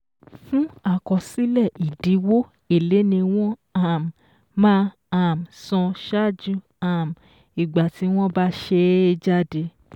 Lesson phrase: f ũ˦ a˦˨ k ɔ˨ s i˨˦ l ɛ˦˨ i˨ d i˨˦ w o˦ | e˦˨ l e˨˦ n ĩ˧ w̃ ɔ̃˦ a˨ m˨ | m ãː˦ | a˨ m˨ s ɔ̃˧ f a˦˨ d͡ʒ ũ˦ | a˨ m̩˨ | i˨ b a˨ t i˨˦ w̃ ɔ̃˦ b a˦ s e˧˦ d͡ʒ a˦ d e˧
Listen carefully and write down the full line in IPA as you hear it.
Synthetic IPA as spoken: f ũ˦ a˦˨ k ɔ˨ s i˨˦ l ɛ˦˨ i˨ d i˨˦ w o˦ | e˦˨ l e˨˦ n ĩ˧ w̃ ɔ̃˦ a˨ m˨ | m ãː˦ | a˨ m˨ s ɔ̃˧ ʃ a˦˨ d͡ʒ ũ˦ | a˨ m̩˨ | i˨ ɡ͡b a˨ t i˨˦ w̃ ɔ̃˦ b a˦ ʃ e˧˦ d͡ʒ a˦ d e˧